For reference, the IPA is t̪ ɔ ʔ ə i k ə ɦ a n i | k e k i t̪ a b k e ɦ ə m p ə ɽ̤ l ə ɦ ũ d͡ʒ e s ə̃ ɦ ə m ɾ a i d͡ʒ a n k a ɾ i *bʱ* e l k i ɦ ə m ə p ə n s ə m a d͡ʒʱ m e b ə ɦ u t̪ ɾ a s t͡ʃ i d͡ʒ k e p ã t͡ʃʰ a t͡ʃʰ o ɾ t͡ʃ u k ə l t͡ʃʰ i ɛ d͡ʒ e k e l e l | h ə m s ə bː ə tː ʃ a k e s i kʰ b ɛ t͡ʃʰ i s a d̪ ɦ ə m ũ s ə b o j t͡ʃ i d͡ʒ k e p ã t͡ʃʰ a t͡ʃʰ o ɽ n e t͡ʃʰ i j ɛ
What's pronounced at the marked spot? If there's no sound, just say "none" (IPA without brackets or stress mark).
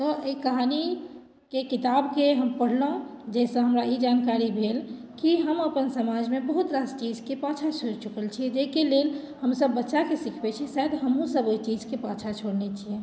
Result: bʱ